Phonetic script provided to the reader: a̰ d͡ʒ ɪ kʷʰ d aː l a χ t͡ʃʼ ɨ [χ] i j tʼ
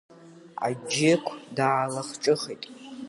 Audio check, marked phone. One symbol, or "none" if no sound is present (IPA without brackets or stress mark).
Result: χ